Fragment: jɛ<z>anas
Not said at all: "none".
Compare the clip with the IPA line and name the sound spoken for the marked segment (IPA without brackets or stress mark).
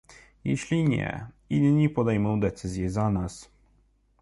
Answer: z